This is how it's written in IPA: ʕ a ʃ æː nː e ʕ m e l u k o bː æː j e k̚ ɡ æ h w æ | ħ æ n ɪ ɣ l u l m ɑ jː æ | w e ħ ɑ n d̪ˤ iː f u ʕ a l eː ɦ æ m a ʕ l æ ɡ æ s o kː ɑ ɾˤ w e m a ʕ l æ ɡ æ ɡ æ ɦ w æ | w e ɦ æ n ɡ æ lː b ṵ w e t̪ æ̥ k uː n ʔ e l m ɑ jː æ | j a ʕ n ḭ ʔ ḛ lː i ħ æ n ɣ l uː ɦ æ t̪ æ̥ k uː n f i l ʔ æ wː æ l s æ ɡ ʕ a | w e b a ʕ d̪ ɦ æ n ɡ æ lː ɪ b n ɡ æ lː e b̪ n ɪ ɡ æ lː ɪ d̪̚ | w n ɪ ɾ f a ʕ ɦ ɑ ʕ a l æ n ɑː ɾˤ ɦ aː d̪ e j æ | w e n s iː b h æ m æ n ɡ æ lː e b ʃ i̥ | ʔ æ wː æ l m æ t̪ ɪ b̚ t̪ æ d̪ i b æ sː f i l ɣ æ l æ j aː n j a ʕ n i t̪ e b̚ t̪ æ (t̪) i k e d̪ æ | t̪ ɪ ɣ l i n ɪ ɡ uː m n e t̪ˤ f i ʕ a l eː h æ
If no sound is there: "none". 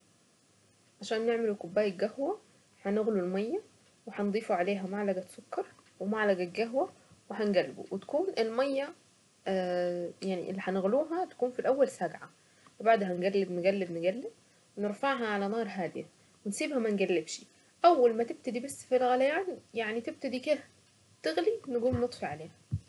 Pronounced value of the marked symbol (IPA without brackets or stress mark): d̪